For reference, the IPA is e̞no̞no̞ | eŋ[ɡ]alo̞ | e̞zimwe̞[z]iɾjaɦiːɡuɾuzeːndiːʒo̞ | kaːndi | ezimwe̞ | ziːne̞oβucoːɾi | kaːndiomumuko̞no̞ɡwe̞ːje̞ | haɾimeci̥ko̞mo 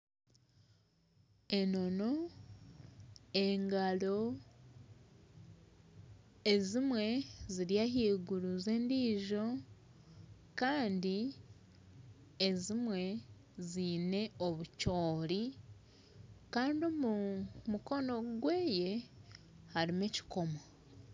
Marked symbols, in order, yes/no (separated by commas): yes, yes